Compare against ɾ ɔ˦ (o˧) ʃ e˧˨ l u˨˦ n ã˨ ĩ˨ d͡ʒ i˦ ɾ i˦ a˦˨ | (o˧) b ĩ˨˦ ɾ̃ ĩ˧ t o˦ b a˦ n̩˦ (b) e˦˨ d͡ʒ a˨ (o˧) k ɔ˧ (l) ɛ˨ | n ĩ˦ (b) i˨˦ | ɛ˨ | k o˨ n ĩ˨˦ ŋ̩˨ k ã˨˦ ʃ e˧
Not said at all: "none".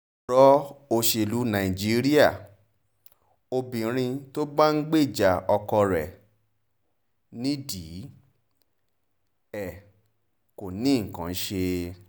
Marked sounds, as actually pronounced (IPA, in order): o˧, o˧, ɡ͡b, ɔ˧, ɾ, d

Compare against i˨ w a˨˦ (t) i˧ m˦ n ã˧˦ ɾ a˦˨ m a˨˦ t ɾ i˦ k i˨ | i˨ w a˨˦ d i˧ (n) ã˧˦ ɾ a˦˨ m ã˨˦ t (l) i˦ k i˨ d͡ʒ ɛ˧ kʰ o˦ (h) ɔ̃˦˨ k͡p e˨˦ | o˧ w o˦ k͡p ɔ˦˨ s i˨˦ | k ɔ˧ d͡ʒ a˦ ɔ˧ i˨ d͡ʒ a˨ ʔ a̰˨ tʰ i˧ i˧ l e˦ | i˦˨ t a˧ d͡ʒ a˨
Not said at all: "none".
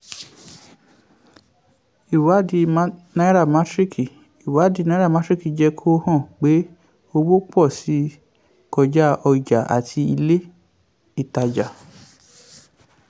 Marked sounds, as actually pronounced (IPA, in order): d, n, ɾ, h

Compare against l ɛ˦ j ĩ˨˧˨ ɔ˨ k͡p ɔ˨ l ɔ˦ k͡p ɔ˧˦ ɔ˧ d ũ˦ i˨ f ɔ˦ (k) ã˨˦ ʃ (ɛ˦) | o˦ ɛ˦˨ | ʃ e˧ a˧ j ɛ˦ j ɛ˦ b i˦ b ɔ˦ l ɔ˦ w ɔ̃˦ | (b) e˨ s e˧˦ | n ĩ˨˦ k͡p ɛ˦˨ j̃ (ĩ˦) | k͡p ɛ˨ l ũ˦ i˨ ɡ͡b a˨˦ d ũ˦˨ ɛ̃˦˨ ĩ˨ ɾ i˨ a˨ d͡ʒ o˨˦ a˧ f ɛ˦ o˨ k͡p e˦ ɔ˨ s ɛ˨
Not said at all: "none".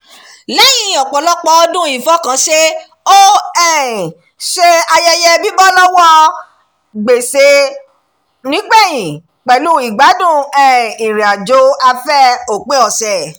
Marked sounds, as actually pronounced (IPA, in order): k, e˦, ɡ͡b, ĩ˨

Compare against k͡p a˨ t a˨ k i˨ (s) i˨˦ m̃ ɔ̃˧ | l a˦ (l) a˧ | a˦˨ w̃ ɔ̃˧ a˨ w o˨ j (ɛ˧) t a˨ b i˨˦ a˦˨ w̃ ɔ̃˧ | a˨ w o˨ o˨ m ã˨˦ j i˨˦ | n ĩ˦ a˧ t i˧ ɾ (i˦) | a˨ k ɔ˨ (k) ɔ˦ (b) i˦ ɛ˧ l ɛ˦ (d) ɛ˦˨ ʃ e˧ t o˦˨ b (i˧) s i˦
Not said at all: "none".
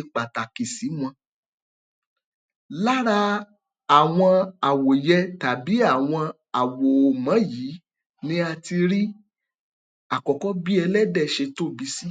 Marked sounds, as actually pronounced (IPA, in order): s, ɾ, ɛ˧, i˦, k, b, d, i˧

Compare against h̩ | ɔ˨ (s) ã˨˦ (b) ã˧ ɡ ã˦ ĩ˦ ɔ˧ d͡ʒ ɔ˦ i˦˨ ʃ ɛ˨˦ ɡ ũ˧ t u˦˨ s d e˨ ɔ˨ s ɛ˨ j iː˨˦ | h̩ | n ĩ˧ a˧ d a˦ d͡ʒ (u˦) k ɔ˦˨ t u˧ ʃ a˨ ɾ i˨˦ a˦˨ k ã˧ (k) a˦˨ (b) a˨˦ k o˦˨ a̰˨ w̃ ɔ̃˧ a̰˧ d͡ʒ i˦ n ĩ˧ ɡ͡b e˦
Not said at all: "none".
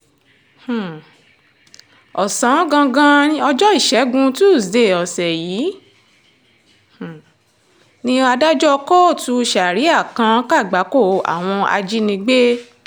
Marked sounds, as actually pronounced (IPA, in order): s, ɡ, ɔ˦, k, ɡ͡b

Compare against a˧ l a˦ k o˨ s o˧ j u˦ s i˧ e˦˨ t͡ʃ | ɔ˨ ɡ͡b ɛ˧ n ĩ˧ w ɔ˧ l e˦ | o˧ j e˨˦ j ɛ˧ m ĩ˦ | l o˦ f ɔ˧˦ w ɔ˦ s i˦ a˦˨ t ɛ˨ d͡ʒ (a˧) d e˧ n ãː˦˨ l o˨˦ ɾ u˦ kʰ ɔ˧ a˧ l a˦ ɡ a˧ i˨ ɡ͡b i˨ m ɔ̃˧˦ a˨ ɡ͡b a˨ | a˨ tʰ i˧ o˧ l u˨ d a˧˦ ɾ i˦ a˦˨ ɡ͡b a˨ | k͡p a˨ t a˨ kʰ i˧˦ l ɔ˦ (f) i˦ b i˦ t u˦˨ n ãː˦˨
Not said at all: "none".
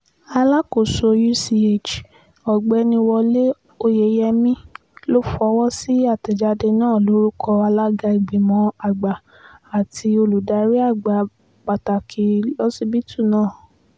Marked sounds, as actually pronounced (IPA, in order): a˧, s

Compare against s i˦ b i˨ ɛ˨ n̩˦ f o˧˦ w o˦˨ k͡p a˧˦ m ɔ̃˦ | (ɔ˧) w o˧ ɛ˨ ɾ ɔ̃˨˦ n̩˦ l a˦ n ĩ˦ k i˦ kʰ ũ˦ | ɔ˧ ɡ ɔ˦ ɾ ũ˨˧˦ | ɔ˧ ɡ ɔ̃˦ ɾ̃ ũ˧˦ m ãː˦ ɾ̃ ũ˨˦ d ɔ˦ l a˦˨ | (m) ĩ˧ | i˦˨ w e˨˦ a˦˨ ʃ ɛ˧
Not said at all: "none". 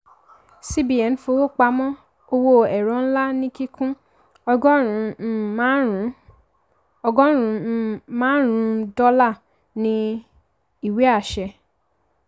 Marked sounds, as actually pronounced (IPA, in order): o˧, n

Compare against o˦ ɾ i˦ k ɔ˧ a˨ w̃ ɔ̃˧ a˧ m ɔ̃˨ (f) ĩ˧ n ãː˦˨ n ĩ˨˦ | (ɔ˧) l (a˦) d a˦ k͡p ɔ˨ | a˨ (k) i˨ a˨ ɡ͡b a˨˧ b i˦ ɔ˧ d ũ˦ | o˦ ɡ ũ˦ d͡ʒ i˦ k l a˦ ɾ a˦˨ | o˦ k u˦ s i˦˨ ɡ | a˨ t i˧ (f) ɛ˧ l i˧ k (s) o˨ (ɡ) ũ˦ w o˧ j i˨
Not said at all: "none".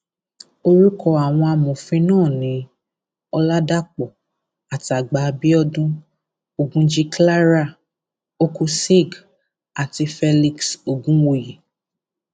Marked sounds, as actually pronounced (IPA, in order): f, ɔ˧, a˦, t, f, s, ɡ

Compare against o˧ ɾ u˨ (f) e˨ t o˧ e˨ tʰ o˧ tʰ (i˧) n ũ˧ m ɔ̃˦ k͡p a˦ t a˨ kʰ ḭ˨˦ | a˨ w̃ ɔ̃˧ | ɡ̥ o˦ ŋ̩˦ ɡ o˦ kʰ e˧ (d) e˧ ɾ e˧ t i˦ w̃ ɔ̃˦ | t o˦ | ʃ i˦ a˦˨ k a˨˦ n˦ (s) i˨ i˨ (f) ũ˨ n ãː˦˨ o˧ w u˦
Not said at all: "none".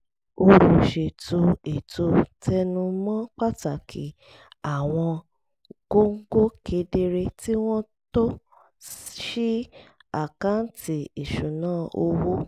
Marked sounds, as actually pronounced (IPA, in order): ʃ, ɛ˧, d, t, ʃ

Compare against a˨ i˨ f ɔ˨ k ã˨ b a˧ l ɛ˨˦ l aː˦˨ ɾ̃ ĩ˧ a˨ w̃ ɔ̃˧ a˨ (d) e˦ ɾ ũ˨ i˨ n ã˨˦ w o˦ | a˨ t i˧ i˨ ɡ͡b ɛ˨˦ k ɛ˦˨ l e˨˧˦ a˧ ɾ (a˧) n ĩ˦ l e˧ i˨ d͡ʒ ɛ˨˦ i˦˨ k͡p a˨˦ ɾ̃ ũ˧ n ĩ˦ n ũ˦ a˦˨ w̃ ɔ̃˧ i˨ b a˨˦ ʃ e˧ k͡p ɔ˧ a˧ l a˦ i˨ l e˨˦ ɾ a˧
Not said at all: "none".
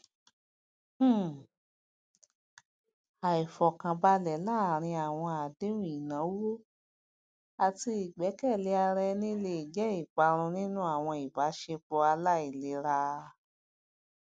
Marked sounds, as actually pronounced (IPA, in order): d, ɛ˧

